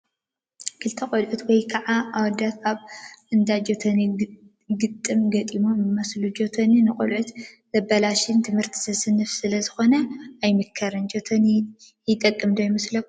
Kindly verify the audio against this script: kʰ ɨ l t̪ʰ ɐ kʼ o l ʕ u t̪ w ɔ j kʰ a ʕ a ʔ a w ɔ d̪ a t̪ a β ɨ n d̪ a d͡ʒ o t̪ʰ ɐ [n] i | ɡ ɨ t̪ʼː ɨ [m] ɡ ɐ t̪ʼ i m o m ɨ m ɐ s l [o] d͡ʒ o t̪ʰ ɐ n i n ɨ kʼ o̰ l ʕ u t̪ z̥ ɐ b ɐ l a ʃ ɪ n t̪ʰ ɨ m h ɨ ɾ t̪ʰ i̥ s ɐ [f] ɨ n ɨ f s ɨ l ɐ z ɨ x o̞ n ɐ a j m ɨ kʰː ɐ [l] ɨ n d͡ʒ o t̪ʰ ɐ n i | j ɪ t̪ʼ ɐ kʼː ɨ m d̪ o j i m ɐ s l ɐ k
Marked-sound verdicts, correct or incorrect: correct, correct, incorrect, incorrect, incorrect

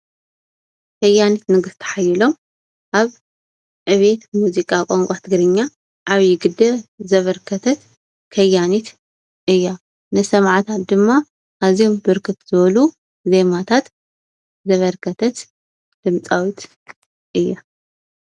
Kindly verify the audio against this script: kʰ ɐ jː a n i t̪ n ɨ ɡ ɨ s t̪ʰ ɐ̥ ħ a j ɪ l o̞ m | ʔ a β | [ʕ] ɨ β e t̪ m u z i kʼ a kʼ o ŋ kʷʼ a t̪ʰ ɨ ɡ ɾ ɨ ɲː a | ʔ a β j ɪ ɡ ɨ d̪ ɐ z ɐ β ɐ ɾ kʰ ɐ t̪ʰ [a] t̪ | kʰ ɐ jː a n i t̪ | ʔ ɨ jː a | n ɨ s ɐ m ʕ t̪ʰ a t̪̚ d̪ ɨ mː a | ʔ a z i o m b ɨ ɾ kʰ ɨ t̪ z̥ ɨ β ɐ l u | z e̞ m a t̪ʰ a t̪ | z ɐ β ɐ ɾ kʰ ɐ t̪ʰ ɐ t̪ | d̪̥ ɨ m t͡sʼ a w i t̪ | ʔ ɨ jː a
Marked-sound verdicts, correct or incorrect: correct, incorrect

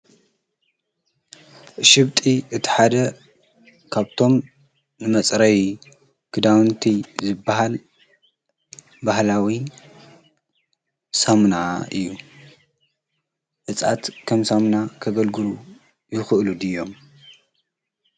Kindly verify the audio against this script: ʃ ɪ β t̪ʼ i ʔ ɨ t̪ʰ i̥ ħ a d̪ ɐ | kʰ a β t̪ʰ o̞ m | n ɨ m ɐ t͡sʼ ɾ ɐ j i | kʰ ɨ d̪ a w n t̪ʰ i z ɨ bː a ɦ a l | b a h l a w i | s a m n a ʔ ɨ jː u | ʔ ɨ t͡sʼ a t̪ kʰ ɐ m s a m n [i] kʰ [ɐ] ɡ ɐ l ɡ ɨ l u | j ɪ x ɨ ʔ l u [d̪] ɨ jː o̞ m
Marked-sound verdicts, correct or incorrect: incorrect, correct, correct

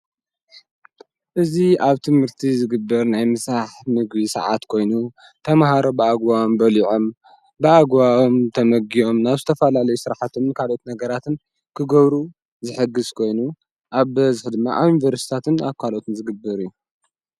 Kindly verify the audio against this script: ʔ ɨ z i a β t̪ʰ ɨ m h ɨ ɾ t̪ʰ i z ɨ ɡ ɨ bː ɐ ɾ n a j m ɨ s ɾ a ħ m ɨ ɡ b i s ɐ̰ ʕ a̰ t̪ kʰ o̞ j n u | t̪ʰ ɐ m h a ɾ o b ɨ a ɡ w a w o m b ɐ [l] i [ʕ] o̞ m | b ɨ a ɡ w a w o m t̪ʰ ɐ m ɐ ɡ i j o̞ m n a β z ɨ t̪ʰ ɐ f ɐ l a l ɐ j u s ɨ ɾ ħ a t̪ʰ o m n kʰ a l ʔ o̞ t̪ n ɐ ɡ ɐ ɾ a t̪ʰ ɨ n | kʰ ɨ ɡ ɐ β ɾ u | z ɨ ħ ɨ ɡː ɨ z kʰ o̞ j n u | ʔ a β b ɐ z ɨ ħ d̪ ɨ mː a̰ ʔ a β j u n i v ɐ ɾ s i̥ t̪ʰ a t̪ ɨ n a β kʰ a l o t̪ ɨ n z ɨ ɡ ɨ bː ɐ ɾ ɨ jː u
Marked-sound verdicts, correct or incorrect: correct, correct

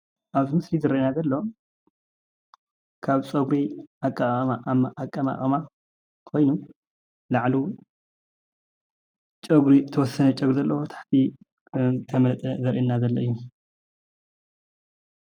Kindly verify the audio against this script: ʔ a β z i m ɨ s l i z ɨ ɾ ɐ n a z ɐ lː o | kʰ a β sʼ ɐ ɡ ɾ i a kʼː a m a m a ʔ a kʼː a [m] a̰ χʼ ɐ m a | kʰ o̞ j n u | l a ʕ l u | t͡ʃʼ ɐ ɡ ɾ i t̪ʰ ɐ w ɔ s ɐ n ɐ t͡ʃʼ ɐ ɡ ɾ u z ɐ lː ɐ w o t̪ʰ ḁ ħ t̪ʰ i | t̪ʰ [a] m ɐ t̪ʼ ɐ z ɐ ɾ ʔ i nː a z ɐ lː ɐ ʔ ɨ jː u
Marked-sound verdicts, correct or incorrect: correct, incorrect

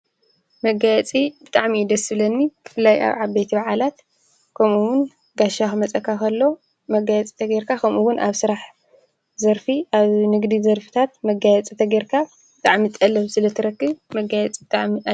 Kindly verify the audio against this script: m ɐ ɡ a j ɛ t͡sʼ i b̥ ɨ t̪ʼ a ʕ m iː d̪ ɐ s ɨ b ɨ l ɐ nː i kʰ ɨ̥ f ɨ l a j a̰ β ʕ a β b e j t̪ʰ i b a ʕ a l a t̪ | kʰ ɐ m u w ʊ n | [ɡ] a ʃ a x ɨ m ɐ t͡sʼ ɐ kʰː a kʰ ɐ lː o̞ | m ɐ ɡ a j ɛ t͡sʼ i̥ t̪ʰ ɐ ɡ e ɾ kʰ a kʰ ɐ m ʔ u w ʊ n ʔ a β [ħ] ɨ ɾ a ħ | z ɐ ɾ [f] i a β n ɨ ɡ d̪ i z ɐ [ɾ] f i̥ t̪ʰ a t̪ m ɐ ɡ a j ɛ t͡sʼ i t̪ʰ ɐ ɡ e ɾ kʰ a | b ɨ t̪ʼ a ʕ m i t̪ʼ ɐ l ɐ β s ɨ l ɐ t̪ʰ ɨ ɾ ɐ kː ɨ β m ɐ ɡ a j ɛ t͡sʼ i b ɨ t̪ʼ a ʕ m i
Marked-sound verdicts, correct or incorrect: correct, incorrect, correct, correct

